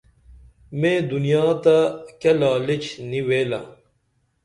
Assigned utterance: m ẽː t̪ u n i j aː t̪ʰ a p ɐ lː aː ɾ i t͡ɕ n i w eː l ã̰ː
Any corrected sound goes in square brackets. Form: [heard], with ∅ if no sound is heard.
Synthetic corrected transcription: m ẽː [d̪] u n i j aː [t̪] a [k] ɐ [l] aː [l] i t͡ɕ n i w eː l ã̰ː